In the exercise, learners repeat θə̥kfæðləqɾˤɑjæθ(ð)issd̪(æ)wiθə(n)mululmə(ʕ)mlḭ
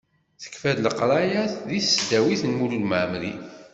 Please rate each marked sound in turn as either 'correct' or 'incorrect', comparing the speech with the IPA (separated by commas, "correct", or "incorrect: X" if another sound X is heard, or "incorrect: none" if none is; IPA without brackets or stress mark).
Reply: correct, correct, correct, correct